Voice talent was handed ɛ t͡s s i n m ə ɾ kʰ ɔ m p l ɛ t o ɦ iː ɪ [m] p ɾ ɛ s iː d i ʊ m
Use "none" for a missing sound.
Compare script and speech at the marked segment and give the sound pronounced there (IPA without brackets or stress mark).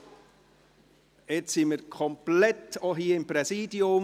m